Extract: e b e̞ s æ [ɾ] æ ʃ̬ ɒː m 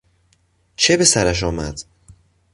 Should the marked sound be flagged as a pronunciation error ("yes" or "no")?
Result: no